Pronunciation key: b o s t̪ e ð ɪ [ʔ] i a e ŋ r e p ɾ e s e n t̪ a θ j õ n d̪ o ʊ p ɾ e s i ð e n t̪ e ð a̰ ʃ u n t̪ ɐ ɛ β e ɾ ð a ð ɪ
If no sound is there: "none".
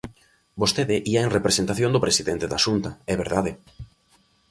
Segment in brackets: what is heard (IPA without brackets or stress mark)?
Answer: ʔ